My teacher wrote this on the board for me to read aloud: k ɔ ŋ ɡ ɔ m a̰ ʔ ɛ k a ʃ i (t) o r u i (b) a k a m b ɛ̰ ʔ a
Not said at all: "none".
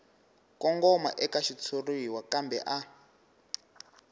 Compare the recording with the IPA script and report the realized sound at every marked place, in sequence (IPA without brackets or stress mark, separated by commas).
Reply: t͡sʰ, w